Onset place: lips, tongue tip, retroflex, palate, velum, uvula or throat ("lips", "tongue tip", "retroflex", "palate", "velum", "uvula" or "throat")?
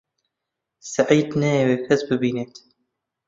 tongue tip